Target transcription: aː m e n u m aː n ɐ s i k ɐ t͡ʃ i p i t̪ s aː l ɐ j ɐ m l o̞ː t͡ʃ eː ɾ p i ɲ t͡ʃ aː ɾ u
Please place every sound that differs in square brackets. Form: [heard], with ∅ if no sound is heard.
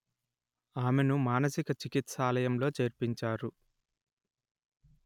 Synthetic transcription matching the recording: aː m e n u m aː n ɐ s i k ɐ t͡ʃ i [k] i t̪ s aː l ɐ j ɐ m l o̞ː t͡ʃ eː ɾ p i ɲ t͡ʃ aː ɾ u